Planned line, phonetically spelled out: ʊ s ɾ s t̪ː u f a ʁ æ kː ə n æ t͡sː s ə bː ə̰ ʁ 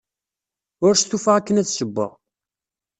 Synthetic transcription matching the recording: ʊ ɾ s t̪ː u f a ʁ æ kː ə n æ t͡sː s ə bː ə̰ ʁ